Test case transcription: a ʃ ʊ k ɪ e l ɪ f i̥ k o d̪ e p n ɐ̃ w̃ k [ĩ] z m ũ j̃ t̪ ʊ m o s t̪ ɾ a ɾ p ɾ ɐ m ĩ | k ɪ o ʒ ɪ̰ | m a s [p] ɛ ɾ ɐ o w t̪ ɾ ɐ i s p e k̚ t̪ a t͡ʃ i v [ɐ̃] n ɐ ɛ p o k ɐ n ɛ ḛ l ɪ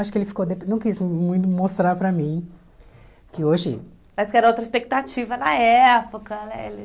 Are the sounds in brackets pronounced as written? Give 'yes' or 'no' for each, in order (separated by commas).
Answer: no, no, no